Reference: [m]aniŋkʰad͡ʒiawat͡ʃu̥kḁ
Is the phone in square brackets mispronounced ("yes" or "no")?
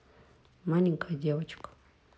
no